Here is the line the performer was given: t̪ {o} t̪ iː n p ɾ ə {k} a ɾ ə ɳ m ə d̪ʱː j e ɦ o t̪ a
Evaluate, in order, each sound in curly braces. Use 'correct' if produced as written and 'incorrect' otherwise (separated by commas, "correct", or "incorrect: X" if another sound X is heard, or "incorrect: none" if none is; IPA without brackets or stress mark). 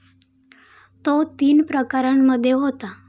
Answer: correct, correct